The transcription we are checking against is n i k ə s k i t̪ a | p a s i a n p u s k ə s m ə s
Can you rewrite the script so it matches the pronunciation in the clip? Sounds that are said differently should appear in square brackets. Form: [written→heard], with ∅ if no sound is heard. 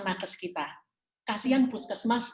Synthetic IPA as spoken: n [i→a] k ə s k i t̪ a | [p→k] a s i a n p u s k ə s m [ə→a] s